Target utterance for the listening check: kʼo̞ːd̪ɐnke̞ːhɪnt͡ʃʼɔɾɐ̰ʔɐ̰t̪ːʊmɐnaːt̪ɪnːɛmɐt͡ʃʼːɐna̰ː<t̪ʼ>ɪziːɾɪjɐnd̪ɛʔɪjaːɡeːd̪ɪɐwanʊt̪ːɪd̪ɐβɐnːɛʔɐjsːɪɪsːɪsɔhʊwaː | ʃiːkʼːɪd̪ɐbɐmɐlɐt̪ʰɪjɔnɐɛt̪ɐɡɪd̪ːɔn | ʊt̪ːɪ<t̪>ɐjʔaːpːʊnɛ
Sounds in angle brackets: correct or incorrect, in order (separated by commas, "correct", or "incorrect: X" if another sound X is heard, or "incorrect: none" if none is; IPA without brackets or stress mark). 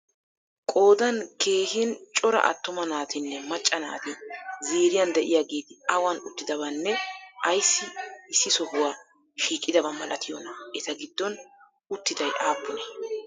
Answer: incorrect: t̪, incorrect: d̪